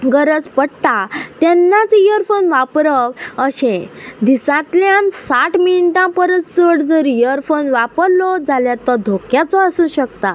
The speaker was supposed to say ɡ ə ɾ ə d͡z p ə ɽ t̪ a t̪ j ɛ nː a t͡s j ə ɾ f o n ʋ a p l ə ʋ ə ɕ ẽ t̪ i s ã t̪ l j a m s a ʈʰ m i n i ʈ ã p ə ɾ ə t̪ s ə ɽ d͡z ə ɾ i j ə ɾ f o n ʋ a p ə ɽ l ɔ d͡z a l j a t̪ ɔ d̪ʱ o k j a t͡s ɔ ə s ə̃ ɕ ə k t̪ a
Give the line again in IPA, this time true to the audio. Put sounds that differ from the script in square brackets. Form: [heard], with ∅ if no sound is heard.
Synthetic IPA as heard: ɡ ə ɾ ə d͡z p ə ɽ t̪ a t̪ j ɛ nː a t͡s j ə ɾ f o n ʋ a p [ɾ] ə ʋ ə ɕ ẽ [d̪] i s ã t̪ l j a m s a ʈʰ m i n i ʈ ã p ə ɾ ə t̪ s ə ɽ d͡z ə ɾ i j ə ɾ f o n ʋ a p ə [ɾ] l ɔ d͡z a l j a t̪ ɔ d̪ʱ o k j a t͡s ɔ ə s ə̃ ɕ ə k t̪ a